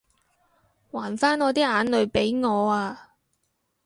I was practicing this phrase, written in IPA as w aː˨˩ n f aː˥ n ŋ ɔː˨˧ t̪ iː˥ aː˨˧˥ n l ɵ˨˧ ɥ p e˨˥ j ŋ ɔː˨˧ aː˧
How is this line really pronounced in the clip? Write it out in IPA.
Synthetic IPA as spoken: w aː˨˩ n f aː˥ n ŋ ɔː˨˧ t̪ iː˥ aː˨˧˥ n l ɵ˨˧ ɥ p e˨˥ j ŋ ɔː˨˧ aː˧